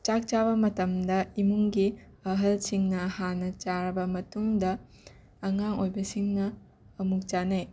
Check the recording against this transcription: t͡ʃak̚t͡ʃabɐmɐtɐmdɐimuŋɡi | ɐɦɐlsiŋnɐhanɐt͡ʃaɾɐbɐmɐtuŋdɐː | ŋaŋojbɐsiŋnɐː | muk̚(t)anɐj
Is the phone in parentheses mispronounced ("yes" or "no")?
yes